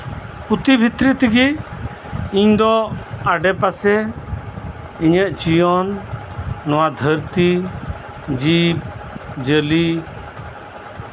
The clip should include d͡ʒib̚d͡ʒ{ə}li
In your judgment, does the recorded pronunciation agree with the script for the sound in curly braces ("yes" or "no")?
yes